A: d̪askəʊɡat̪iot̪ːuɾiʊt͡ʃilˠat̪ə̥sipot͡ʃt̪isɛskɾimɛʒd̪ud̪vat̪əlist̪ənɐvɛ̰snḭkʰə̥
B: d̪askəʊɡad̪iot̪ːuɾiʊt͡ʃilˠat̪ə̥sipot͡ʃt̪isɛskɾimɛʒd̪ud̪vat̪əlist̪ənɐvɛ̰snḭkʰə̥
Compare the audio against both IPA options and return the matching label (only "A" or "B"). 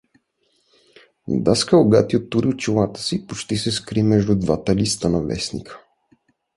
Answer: A